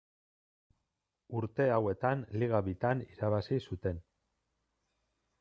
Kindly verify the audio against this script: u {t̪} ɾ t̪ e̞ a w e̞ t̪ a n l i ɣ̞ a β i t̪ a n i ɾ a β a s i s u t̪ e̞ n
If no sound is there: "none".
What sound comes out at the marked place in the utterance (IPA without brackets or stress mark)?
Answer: none